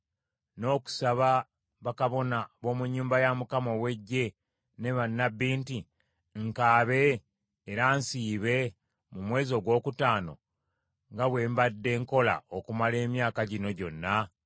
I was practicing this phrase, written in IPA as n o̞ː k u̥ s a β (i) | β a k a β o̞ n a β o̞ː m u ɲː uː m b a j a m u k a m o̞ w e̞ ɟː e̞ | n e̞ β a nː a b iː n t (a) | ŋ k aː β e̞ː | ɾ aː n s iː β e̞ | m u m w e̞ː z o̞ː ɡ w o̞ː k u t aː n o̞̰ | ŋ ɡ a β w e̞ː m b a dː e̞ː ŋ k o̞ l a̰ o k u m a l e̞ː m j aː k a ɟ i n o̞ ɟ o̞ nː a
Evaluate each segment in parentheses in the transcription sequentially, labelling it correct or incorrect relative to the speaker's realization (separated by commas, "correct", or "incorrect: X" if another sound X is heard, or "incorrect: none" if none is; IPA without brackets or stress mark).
incorrect: a, incorrect: i